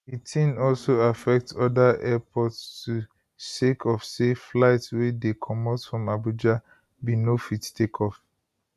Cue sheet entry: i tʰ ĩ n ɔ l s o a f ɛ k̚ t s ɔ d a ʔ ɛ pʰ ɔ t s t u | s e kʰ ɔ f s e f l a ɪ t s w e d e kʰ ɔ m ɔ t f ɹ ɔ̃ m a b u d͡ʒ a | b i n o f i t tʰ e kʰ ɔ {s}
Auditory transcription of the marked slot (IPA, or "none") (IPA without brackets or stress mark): f